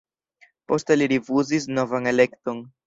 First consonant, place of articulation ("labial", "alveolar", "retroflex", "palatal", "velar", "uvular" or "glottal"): labial